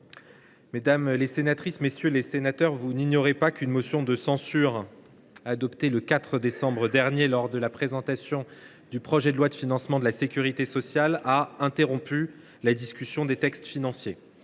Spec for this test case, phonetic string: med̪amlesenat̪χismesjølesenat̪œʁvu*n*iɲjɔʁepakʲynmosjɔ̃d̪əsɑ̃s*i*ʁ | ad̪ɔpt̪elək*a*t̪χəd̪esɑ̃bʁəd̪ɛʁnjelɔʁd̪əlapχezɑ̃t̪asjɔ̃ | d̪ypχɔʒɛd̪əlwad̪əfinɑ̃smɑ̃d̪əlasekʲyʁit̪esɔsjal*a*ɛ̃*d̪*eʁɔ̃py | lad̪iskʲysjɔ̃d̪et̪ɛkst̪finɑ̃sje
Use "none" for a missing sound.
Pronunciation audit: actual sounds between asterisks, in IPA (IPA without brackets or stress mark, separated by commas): n, y, a, a, t̪